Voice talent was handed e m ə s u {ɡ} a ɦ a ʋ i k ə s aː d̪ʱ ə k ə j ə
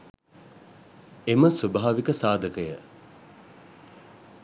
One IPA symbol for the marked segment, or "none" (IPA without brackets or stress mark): b